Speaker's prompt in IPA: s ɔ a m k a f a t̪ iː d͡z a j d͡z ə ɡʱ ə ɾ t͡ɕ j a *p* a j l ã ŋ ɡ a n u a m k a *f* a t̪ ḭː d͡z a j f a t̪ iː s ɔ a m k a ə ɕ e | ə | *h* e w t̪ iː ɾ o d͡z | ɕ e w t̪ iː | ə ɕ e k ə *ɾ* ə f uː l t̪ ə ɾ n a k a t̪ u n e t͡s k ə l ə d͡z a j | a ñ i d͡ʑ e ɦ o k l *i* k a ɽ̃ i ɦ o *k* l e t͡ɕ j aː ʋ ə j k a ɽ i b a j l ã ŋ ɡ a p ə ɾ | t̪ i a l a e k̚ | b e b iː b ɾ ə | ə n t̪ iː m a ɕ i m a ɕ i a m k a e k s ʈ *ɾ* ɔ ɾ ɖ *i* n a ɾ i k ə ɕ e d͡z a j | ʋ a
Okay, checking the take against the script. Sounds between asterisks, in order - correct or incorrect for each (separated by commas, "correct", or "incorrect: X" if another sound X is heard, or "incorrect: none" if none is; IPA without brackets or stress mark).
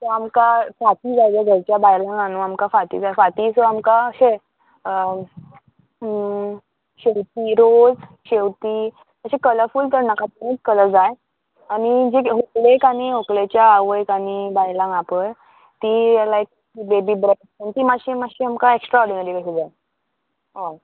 incorrect: b, correct, incorrect: ɕ, incorrect: l, incorrect: e, correct, correct, correct